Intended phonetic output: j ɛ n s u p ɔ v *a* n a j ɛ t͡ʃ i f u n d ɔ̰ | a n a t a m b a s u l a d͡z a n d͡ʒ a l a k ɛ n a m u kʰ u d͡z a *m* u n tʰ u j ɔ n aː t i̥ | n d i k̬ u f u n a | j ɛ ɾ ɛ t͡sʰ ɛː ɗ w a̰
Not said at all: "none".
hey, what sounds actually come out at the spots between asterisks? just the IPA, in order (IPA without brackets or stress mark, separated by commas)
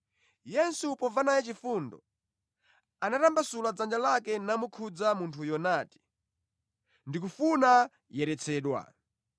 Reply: a, m